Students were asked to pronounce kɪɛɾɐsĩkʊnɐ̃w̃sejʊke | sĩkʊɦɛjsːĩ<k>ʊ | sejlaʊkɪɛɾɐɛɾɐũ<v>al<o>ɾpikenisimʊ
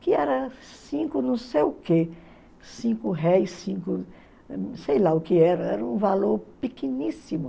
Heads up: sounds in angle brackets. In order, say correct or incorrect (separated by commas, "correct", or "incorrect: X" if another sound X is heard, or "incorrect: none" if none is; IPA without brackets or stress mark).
correct, correct, correct